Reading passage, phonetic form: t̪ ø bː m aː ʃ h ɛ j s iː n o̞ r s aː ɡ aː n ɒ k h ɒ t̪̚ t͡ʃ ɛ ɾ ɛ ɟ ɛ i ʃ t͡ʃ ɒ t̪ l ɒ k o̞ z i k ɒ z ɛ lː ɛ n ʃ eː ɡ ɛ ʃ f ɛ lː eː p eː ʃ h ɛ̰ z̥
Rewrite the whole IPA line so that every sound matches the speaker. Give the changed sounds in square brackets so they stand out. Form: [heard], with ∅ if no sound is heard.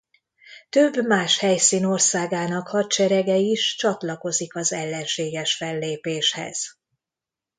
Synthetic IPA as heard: t̪ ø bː m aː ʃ h ɛ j s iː n o̞ r s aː ɡ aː n ɒ k h ɒ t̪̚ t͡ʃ ɛ ɾ ɛ [ɡ] ɛ i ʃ t͡ʃ ɒ t̪ l ɒ k o̞ z i k ɒ z ɛ lː ɛ n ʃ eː ɡ ɛ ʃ f ɛ lː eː p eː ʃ h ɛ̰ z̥